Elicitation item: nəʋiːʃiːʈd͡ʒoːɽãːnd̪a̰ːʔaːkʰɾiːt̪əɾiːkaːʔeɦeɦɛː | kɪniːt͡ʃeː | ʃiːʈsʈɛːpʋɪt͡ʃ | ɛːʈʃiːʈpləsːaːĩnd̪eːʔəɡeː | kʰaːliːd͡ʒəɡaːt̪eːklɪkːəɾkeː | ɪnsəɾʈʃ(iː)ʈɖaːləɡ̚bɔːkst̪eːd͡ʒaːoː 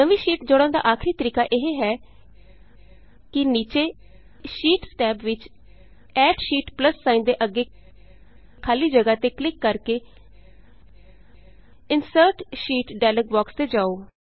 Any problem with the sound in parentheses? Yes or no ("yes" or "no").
no